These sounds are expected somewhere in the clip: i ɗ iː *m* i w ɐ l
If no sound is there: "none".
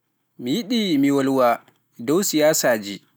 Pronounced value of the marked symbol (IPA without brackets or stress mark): m